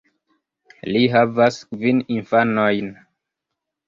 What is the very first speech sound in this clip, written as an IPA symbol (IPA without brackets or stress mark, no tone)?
l